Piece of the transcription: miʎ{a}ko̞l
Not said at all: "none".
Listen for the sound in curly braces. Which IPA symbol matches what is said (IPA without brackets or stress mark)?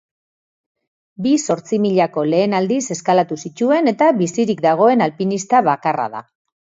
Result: a